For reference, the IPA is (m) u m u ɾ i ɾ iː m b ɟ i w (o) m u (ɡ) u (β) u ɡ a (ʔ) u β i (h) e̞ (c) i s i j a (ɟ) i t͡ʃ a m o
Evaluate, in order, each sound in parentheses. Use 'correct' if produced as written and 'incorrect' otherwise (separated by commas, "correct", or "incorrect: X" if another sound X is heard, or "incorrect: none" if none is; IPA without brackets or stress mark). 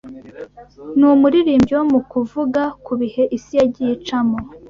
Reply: incorrect: n, correct, incorrect: k, incorrect: v, incorrect: k, correct, incorrect: ʔ, correct